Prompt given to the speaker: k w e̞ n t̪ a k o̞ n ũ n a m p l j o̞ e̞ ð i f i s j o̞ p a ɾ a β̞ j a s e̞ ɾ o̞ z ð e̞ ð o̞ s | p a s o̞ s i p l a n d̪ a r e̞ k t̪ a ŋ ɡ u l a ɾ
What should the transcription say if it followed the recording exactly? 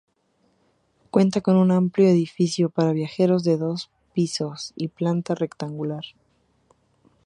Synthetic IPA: k w e̞ n t̪ a k o̞ n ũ n a m p l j o̞ e̞ ð i f i s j o̞ p a ɾ a β̞ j a x e̞ ɾ o̞ z ð e̞ ð o̞ s | p i s o̞ s i p l a n t̪ a r e̞ k t̪ a ŋ ɡ u l a ɾ

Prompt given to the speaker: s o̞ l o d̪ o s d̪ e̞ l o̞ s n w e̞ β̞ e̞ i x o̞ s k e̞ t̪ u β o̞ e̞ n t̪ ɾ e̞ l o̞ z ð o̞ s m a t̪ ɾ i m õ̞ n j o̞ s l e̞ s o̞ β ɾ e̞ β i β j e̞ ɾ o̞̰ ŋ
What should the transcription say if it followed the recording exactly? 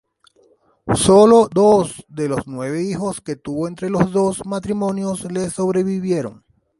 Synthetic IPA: s o̞ l o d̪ o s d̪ e̞ l o̞ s n w e̞ β̞ e̞ i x o̞ s k e̞ t̪ u β o̞ e̞ n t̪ ɾ e̞ l o̞ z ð o̞ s m a t̪ ɾ i m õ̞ n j o̞ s l e̞ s o̞ β ɾ e̞ β i β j e̞ ɾ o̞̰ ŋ

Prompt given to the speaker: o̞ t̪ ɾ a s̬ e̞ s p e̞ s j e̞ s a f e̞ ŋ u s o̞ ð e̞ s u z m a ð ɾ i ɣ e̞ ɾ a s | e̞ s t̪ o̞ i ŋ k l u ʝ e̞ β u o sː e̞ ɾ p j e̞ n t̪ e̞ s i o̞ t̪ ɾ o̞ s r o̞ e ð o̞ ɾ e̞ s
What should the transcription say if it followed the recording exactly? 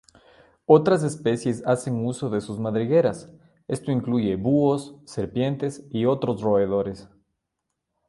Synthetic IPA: o̞ t̪ ɾ a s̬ e̞ s p e̞ s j e̞ s a s e̞ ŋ u s o̞ ð e̞ s u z m a ð ɾ i ɣ e̞ ɾ a s | e̞ s t̪ o̞ i ŋ k l u ʝ e̞ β u o sː e̞ ɾ p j e̞ n t̪ e̞ s i o̞ t̪ ɾ o̞ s r o̞ e ð o̞ ɾ e̞ s

